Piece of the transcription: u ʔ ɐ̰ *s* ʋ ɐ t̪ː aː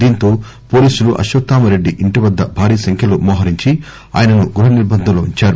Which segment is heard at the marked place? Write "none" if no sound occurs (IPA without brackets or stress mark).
ʃ